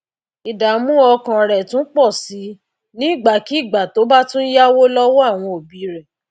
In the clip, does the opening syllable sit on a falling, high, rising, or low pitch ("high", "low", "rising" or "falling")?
low